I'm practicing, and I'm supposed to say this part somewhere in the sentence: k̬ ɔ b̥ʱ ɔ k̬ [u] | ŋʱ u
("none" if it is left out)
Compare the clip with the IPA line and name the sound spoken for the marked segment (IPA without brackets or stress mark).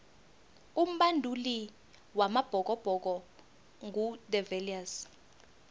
ɔ